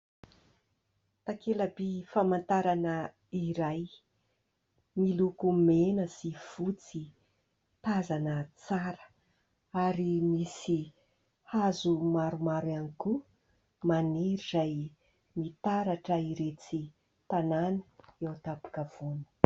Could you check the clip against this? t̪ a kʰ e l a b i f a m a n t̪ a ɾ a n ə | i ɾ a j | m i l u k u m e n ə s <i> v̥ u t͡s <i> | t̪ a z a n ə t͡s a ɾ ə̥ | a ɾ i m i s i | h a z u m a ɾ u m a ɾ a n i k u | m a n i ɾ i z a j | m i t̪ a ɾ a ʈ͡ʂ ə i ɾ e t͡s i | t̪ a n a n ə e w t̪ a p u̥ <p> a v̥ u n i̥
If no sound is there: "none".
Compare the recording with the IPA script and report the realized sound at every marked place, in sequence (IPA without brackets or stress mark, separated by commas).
i, i, k